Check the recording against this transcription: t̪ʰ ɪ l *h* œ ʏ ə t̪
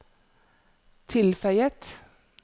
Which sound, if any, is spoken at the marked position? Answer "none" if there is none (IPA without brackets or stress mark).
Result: f